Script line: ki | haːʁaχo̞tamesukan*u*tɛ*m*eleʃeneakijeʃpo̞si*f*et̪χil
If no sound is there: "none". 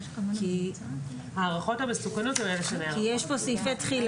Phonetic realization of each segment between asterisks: o, m, f

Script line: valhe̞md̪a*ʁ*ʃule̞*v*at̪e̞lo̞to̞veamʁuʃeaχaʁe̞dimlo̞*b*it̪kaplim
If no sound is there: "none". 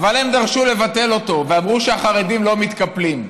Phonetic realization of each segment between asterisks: ʁ, v, m

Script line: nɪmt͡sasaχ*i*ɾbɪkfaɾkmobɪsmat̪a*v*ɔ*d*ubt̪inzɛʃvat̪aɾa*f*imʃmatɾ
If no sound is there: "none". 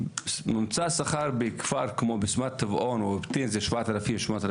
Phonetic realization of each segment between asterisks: a, v, n, f

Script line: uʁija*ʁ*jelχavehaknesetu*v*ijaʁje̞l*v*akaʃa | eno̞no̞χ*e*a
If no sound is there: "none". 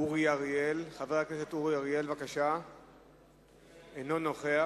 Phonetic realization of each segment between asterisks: ʁ, ʁ, v, e

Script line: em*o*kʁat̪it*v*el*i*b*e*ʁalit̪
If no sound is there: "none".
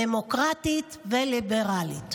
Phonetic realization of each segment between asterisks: o, v, i, e

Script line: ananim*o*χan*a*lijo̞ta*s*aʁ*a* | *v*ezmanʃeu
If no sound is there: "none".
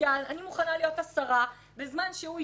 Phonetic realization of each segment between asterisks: u, a, s, a, b

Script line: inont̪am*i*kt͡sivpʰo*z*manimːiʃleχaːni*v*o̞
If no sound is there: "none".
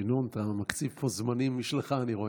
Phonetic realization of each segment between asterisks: a, z, ʁ

